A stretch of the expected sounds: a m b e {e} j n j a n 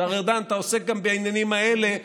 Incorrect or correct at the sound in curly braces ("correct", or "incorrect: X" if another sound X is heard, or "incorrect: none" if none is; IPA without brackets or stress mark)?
incorrect: a